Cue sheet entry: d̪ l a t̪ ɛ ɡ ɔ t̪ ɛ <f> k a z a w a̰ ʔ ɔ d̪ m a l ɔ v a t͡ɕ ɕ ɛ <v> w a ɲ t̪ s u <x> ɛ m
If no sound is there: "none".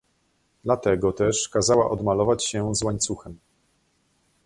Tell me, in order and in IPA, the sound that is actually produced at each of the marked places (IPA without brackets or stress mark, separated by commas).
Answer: ʂ, z, x